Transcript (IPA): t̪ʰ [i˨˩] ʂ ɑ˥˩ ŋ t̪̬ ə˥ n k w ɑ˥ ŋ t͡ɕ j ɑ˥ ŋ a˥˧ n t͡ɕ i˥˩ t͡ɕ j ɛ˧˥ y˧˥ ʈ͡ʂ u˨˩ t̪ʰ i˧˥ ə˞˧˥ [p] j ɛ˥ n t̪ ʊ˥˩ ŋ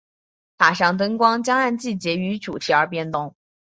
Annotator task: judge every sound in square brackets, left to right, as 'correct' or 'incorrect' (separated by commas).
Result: incorrect, correct